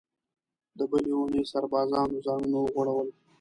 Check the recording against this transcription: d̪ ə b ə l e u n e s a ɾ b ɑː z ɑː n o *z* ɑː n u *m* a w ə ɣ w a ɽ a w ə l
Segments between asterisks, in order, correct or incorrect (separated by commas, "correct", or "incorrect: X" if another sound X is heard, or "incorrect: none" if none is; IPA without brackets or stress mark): correct, incorrect: n